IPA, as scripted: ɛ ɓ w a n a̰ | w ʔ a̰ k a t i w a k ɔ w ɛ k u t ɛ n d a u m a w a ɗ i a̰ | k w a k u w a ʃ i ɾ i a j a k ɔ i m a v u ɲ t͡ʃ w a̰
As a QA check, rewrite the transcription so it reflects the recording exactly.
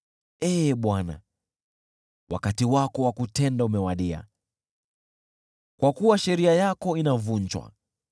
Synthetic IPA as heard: ɛ ɓ w a n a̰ | w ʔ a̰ k a t i w a k ɔ w a k u t ɛ n d a u m ɛ w a ɗ i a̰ | k w a k u w a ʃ ɛ ɾ i a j a k ɔ i n a v u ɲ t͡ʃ w a̰